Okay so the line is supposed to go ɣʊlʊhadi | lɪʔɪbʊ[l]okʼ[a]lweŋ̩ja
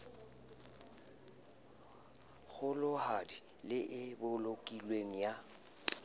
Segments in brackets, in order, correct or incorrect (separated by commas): correct, incorrect